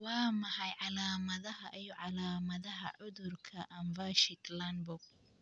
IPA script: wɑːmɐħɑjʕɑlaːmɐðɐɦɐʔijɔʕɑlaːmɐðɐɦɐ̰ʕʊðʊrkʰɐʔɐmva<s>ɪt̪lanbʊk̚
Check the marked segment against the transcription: incorrect: ʃ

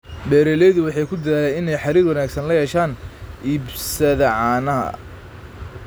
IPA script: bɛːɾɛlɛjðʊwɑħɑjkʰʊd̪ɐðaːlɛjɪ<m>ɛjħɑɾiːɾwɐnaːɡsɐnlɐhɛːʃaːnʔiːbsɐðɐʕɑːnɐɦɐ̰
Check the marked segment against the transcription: incorrect: n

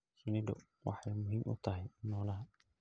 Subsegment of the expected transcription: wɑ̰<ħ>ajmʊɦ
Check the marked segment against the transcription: correct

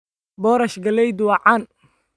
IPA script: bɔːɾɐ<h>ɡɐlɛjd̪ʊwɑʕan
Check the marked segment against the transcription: incorrect: ʃ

